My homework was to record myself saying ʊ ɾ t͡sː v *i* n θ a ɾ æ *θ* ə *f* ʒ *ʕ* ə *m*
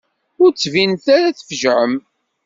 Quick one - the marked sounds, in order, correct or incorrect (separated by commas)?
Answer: correct, correct, correct, correct, correct